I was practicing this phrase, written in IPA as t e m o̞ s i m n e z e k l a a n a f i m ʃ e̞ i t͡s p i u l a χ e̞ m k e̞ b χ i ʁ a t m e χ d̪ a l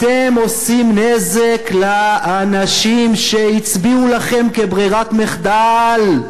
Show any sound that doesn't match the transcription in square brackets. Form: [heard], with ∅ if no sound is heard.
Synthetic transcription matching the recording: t e m o̞ s i m n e z e k l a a n a [ʃ] i m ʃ e̞ i t͡s [b] i u l a χ e̞ m k e̞ b [ʁ] i ʁ a t m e χ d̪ a l